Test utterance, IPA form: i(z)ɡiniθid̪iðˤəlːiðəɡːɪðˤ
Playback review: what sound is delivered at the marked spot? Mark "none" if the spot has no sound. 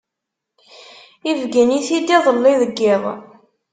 v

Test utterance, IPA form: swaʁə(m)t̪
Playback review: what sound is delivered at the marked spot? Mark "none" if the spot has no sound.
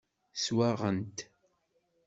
n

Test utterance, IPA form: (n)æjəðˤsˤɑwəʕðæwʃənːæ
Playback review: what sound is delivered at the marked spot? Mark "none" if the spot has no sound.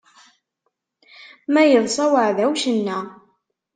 m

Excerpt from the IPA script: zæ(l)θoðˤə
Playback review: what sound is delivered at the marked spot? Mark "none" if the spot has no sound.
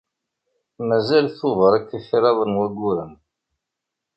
l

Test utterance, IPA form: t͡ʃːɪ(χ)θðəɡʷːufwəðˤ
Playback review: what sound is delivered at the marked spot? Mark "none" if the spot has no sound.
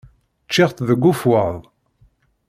ʁ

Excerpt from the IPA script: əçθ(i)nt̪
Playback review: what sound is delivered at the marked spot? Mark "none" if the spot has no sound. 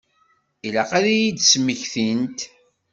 i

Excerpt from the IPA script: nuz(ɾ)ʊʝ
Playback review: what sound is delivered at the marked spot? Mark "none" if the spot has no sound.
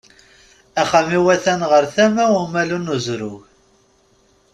ɾ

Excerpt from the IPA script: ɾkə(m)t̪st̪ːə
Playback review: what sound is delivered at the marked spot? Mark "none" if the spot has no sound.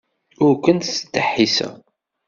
n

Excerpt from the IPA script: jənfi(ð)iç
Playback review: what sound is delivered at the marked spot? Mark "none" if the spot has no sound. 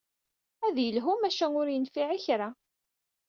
ʕ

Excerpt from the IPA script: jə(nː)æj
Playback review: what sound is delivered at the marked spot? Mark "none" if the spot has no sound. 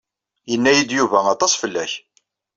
nː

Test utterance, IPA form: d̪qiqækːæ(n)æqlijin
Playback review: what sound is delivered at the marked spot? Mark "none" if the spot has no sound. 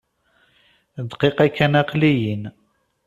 n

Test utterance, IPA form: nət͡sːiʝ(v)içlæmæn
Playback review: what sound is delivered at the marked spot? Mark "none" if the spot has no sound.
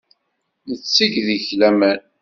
ð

